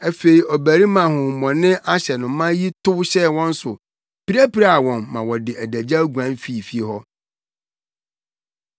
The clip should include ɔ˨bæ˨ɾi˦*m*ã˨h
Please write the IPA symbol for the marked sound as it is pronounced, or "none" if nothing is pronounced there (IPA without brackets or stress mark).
m